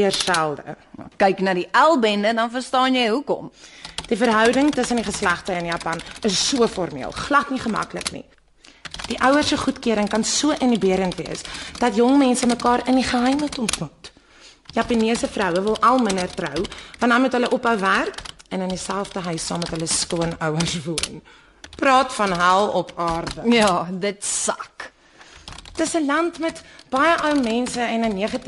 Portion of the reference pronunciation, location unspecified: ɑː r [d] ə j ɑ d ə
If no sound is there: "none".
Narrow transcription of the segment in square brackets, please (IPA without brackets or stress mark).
d